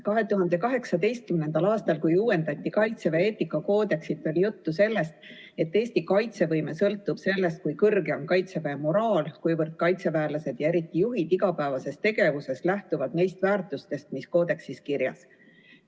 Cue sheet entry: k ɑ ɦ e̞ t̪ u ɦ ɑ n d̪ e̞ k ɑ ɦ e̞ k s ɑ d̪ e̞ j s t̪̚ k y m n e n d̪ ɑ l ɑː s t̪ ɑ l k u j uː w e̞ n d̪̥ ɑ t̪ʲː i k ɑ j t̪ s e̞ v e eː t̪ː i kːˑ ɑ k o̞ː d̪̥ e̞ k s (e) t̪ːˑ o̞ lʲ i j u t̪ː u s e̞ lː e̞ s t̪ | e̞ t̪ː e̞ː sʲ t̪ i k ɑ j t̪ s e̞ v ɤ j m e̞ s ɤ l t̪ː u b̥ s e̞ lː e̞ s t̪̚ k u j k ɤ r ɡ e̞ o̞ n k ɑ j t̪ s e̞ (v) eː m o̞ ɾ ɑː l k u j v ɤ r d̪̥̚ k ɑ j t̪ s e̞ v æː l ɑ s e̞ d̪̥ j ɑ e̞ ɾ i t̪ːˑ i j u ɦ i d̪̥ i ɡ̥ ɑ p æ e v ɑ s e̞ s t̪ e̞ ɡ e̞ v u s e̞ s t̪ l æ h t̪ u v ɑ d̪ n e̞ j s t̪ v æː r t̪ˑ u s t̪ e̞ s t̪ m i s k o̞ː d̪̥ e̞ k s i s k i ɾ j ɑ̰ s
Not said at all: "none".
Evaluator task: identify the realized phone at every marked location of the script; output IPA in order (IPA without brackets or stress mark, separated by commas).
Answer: i, v